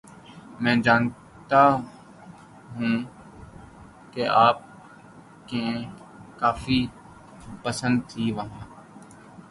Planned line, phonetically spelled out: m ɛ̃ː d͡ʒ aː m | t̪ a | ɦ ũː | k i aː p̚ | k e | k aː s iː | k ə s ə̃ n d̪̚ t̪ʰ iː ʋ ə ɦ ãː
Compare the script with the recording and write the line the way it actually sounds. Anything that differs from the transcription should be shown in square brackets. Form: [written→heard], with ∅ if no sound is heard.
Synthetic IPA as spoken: m ɛ̃ː d͡ʒ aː [m→n] | t̪ a | ɦ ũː | k [i→e] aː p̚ | k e | k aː [s→f] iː | [k→p] ə s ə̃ n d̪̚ t̪ʰ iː ʋ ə ɦ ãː

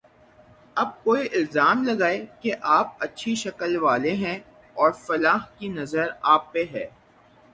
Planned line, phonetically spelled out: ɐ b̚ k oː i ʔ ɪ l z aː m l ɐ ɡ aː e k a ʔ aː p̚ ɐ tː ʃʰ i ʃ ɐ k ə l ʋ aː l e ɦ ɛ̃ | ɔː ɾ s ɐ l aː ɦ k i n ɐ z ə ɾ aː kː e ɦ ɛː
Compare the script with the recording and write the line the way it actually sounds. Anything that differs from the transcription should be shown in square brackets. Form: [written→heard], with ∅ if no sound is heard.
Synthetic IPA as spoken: ɐ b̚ k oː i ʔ ɪ l z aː m l ɐ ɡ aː e k [a→e] ʔ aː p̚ ɐ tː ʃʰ i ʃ ɐ k ə l ʋ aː l e ɦ ɛ̃ | ɔː ɾ [s→f] ɐ l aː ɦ k i n ɐ z ə ɾ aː [kː→pː] e ɦ ɛː

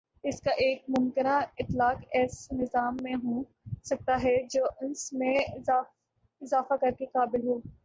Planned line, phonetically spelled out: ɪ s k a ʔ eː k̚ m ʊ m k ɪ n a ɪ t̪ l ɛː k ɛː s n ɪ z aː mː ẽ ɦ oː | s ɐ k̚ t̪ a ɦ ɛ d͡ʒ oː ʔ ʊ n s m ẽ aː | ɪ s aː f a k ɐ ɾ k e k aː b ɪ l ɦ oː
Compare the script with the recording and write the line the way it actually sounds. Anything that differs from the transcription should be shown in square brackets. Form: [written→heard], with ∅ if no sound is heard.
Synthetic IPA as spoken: ɪ s k a ʔ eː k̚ m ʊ m k ɪ n a ɪ t̪ l [ɛː→aː] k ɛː s n ɪ z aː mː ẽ ɦ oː | s ɐ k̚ t̪ a ɦ ɛ d͡ʒ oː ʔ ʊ n s m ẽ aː | ɪ [s→z] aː f a k ɐ ɾ k e k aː b ɪ l ɦ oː

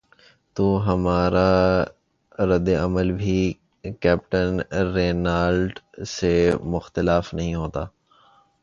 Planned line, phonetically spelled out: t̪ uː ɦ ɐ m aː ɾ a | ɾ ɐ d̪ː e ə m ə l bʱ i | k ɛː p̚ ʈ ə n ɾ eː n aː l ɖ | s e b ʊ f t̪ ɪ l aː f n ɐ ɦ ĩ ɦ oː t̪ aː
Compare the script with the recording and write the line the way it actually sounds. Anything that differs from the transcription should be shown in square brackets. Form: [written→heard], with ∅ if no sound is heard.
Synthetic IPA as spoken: t̪ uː ɦ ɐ m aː ɾ a | ɾ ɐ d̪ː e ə m ə l bʱ i | k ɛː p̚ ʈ ə n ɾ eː n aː l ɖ | s e [b→m] ʊ [f→x] t̪ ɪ l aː f n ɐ ɦ ĩ ɦ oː t̪ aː

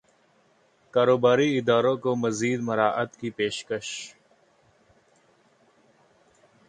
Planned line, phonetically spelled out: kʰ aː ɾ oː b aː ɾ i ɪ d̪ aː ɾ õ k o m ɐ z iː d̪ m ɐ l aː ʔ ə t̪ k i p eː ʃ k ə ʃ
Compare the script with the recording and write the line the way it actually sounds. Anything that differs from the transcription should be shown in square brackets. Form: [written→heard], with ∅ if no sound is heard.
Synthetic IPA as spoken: [kʰ→k] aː ɾ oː b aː ɾ i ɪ d̪ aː ɾ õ k o m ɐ z iː d̪ m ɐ [l→ɾ] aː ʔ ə t̪ k i p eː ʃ k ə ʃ

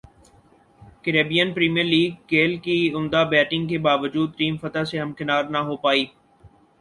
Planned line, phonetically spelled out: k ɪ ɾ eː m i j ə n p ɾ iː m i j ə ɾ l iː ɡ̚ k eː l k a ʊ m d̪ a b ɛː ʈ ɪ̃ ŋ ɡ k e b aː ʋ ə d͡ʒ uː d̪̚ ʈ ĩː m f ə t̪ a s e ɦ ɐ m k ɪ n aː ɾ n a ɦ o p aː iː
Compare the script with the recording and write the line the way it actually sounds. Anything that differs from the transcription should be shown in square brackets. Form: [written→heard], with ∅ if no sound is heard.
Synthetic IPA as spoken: k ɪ ɾ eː [m→b] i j ə n p ɾ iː m i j ə ɾ l iː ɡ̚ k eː l k [a→i] ʊ m d̪ a b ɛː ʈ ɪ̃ ŋ ɡ k e b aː ʋ ə d͡ʒ uː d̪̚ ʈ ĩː m f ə t̪ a s e ɦ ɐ m k ɪ n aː ɾ n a ɦ o p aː iː

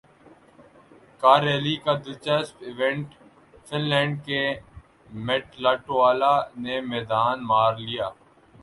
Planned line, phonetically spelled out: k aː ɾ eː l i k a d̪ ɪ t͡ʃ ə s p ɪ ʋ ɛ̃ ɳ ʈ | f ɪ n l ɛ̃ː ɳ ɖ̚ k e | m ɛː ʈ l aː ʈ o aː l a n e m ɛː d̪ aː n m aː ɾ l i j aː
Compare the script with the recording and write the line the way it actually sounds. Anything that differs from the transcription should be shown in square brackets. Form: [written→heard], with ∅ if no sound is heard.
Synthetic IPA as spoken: k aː ɾ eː l i k a d̪ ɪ t͡ʃ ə s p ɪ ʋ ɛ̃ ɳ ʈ | f ɪ n l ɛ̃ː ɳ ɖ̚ k e | m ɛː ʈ l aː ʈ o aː l a n e m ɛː d̪ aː n m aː ɾ l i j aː

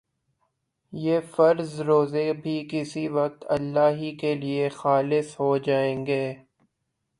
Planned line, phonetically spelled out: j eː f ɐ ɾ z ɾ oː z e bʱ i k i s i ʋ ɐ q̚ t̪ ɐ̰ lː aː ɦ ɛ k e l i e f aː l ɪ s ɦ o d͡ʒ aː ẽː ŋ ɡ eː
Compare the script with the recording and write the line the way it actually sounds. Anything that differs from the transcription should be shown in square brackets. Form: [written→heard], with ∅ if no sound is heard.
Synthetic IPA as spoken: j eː f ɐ ɾ z ɾ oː z e bʱ i k [i→ɪ] s i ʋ ɐ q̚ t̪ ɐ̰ lː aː ɦ [ɛ→i] k e l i e [f→x] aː l ɪ s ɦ o d͡ʒ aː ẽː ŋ ɡ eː

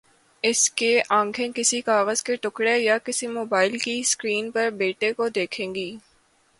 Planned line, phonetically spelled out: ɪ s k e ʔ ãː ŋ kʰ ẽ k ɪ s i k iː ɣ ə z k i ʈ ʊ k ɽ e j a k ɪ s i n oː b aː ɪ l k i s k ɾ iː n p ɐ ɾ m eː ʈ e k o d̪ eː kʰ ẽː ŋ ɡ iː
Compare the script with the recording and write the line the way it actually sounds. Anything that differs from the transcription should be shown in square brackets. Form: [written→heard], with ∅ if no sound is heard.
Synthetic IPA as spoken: ɪ s k e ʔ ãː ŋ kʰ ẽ k ɪ s i k [iː→aː] ɣ ə z k [i→e] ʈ ʊ k ɽ e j a k ɪ s i [n→m] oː b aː ɪ l k i s k ɾ iː n p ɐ ɾ [m→b] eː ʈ e k o d̪ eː kʰ ẽː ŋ ɡ iː

